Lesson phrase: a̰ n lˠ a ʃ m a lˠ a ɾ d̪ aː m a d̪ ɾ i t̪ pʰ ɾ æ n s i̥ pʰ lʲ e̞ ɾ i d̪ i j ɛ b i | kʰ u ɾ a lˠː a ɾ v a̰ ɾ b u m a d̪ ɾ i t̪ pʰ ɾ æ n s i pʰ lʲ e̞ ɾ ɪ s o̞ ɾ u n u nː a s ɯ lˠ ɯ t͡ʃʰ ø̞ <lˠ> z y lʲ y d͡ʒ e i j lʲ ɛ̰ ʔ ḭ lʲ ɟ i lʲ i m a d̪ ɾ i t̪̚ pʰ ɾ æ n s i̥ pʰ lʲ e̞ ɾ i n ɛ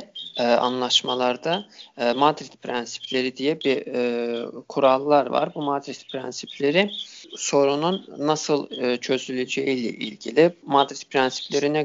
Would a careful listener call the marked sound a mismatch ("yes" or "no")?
yes